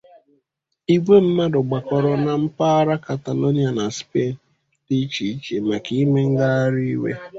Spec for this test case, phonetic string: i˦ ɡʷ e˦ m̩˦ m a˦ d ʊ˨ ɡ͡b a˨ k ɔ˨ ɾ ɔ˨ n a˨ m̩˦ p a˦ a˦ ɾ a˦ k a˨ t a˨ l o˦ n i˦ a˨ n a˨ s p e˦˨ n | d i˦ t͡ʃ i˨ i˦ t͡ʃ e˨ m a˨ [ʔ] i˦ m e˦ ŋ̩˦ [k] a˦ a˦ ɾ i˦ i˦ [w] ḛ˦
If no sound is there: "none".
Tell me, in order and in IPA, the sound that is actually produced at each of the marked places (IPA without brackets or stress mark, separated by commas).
k, ɡ, w